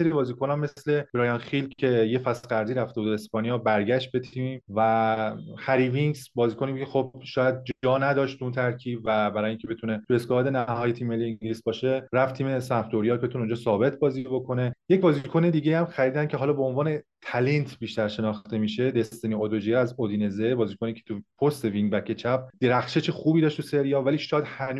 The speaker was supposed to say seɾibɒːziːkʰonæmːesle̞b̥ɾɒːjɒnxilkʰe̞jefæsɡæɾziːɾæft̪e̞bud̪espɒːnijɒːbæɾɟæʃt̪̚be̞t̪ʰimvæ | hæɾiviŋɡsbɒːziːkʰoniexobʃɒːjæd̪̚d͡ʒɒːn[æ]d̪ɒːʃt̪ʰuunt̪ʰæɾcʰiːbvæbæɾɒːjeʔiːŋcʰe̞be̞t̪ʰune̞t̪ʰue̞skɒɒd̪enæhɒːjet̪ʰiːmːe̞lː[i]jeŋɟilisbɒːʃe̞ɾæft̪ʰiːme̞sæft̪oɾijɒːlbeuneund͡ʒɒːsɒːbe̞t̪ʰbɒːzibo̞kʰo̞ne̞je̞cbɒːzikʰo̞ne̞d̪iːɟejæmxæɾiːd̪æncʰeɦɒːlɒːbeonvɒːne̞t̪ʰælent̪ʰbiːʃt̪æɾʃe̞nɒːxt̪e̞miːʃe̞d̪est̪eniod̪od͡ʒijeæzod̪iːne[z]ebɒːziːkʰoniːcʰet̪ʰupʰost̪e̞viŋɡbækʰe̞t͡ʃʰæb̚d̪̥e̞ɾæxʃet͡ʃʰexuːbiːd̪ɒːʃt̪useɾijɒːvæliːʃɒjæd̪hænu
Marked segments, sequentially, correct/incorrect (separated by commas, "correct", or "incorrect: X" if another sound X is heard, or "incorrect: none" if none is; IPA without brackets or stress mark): correct, correct, correct